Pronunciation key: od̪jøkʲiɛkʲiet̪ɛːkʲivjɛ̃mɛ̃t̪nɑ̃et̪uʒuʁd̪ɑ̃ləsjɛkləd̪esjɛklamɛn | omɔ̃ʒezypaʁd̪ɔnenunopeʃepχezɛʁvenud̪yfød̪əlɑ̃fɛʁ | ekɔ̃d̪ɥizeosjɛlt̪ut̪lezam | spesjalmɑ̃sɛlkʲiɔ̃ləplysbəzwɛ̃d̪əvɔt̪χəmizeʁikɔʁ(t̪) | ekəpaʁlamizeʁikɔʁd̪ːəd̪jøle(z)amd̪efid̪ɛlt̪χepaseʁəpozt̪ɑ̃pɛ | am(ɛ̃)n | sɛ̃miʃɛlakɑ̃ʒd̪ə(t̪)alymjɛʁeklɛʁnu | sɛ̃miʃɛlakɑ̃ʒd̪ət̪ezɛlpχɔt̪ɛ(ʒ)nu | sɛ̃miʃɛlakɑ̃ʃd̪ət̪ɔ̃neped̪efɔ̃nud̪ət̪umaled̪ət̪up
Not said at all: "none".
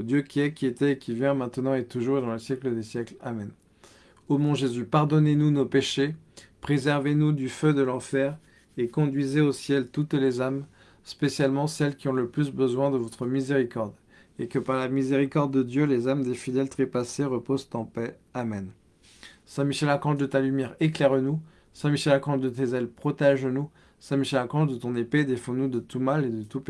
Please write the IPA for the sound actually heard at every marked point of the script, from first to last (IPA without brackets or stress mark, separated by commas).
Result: d̪, z, ɛ, t̪, ʒ